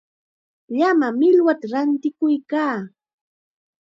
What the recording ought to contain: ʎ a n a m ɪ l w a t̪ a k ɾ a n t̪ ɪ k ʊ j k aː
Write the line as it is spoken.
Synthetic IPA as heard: ʎ a m a m ɪ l w a t̪ a ɾ a n t̪ ɪ k ʊ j k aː